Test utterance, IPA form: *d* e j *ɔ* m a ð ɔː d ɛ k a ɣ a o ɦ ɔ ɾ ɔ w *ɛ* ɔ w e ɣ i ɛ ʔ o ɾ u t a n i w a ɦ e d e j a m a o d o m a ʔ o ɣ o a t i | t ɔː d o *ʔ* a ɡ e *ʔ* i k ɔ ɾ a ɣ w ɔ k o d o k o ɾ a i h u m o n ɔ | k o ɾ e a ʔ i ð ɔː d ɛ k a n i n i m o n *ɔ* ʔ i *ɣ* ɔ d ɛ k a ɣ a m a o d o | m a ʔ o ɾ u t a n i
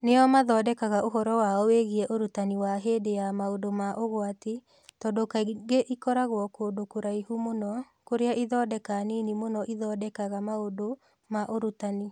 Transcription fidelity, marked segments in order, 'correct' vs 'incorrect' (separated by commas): incorrect, correct, incorrect, incorrect, correct, correct, incorrect